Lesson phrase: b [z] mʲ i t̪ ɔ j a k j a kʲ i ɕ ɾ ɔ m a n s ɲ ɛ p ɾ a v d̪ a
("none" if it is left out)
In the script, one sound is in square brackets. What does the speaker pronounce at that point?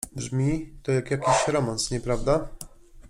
ʐ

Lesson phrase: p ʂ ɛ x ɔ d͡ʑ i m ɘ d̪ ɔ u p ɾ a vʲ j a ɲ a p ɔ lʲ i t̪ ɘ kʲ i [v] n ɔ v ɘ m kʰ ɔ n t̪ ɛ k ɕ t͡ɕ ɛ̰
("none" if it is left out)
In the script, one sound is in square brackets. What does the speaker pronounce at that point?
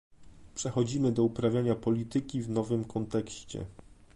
v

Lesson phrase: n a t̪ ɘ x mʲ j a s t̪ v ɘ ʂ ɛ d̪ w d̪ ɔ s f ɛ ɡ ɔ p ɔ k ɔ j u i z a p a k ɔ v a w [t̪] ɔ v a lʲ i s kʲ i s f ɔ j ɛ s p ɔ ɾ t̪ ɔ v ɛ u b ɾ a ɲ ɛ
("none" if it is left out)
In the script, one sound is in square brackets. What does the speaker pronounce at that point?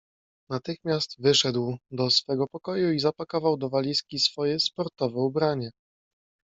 d̪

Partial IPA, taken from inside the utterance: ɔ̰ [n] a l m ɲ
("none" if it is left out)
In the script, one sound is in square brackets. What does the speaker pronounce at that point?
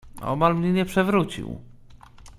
m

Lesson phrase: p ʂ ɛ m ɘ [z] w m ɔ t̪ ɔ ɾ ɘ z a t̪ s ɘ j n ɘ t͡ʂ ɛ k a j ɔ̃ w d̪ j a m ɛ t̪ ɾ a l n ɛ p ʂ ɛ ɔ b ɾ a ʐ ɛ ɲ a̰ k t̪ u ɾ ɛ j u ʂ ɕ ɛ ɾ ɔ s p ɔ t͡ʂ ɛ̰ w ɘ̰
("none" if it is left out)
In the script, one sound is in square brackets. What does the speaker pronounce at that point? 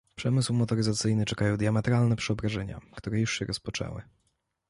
s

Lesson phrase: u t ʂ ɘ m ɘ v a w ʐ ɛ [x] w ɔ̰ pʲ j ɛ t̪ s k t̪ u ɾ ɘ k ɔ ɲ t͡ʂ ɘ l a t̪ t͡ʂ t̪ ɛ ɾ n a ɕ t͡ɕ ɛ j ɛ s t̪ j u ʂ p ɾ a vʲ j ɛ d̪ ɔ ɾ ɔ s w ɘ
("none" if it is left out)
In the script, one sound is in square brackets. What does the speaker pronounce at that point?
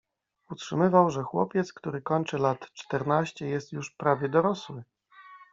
x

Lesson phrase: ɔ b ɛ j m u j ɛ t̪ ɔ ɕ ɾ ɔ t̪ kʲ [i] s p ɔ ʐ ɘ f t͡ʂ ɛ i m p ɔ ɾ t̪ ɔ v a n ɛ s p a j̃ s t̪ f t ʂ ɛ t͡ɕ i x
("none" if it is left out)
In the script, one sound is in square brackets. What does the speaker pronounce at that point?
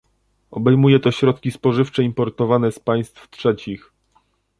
i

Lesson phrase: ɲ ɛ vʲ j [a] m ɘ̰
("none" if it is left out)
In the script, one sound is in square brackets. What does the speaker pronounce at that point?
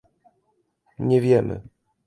ɛ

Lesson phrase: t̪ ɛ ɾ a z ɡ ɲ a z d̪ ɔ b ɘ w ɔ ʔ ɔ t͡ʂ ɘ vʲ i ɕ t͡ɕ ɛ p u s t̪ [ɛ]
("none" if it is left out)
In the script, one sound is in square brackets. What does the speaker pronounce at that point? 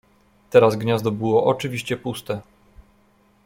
ɛ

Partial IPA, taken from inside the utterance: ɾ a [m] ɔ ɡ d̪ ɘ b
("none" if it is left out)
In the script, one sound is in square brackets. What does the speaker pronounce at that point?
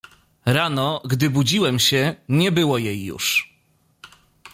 n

